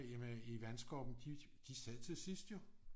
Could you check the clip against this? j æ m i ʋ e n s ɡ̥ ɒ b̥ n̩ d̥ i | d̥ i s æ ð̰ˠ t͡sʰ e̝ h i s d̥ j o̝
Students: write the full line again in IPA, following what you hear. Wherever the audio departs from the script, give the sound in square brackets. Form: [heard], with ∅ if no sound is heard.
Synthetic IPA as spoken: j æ m i ʋ [æ] n s ɡ̥ ɒ b̥ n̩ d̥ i | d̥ i s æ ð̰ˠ t͡sʰ e̝ [s] i s d̥ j o̝